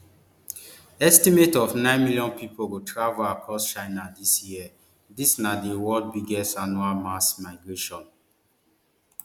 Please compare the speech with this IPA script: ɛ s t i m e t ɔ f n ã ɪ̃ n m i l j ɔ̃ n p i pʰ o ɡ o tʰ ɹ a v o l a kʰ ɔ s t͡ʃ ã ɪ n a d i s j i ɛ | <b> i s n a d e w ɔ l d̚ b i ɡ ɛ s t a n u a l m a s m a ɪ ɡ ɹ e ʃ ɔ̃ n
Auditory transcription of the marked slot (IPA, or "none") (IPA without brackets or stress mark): d